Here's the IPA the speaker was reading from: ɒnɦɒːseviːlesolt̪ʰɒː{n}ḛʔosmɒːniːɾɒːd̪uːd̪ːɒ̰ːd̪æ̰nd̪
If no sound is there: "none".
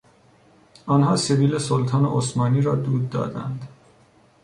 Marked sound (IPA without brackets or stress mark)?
n